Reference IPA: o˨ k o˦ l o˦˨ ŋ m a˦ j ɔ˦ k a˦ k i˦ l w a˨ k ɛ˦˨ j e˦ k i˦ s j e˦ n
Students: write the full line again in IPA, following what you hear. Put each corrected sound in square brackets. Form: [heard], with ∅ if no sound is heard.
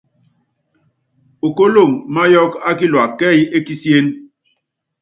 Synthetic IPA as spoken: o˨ k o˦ l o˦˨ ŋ m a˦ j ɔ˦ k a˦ k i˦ l w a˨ k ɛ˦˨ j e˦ k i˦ s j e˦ n